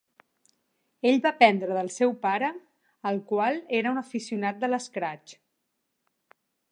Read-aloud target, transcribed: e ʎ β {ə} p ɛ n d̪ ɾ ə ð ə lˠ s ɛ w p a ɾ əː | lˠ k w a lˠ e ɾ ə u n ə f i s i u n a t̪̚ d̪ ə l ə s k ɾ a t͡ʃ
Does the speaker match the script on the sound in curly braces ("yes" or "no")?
no